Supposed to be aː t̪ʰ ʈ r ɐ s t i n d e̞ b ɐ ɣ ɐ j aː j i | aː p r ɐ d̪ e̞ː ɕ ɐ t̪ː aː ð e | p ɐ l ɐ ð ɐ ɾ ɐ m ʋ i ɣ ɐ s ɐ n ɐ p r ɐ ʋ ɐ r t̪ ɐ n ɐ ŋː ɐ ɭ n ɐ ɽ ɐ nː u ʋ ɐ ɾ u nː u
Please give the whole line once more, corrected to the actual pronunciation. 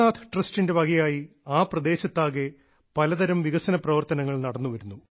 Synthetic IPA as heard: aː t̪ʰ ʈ r ɐ s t i n d e̞ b ɐ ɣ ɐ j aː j i | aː p r ɐ d̪ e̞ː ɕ ɐ t̪ː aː ɣ e | p ɐ l ɐ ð ɐ ɾ ɐ m ʋ i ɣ ɐ s ɐ n ɐ p r ɐ ʋ ɐ r t̪ ɐ n ɐ ŋː ɐ ɭ n ɐ ɽ ɐ nː u ʋ ɐ ɾ u nː u